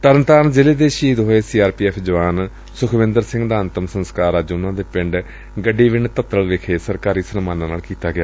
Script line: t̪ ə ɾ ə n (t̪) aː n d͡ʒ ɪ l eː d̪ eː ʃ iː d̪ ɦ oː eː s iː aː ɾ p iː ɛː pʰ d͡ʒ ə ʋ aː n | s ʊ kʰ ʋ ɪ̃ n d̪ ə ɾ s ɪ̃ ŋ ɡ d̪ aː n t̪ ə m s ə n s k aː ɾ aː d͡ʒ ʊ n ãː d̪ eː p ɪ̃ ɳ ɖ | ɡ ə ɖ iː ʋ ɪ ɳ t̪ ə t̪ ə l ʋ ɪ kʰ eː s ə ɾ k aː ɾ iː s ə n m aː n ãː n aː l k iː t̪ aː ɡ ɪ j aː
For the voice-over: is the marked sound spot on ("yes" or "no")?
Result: yes